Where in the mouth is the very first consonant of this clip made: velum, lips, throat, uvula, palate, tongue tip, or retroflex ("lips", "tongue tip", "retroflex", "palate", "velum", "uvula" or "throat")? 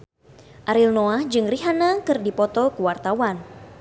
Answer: throat